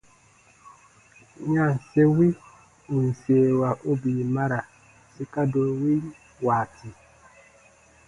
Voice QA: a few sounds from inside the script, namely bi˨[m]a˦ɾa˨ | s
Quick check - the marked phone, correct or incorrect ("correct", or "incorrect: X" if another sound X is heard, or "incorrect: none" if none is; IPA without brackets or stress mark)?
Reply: correct